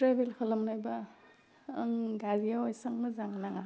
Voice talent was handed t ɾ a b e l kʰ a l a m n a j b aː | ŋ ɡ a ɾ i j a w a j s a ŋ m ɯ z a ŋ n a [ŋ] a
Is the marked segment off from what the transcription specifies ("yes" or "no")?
no